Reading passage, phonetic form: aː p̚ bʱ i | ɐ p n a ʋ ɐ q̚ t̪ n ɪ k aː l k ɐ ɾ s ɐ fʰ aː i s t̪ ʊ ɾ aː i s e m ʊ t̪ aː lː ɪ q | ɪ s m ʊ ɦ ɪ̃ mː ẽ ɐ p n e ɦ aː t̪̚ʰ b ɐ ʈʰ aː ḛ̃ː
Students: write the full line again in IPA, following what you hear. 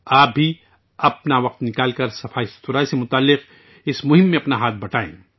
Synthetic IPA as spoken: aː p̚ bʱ i | ɐ p n a ʋ ɐ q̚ t̪ n ɪ k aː l k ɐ ɾ s ɐ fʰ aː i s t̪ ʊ ɾ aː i s e m ʊ t̪ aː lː ɪ q | ɪ s m ʊ ɦ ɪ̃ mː ẽ ɐ p n a ɦ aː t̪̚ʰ b ɐ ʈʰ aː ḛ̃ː